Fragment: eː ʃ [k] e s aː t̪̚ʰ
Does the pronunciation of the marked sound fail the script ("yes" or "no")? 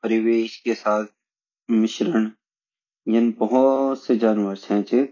no